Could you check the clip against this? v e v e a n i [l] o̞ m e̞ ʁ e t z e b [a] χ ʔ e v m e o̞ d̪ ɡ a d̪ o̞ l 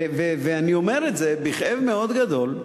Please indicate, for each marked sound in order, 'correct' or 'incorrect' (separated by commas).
incorrect, incorrect